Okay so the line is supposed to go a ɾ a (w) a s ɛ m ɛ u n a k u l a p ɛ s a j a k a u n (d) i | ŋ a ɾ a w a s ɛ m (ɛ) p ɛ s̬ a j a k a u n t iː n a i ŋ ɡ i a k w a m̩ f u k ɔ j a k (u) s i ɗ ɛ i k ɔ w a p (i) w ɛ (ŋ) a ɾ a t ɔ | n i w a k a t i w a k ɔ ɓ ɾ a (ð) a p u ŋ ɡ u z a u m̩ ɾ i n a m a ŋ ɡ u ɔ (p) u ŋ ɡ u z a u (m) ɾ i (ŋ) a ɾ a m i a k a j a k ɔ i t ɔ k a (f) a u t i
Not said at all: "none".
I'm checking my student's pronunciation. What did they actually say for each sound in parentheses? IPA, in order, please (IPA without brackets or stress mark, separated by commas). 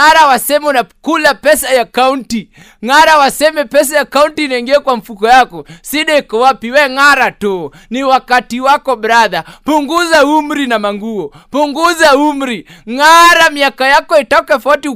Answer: w, t, ɛ, ɔ, i, ŋ, ð, p, m, ŋ, f